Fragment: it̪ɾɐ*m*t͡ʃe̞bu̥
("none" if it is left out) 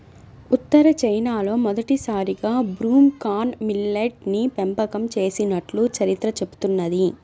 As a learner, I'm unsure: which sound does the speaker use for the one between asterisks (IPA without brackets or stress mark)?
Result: none